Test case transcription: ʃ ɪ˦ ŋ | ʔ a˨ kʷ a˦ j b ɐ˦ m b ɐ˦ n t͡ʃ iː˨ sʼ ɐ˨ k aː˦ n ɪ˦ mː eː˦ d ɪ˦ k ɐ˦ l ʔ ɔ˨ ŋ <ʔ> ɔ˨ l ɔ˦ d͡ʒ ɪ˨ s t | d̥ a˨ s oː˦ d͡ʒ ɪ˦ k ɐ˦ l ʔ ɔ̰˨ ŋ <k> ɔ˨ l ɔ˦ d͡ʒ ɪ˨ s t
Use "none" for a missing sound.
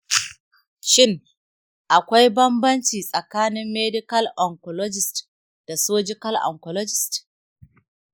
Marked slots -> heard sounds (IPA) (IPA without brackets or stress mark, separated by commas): k, k